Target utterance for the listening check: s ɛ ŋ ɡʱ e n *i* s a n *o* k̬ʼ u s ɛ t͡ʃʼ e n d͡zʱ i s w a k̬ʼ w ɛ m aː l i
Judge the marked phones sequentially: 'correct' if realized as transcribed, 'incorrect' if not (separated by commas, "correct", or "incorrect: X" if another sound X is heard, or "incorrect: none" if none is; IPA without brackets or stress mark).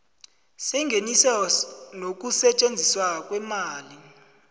correct, correct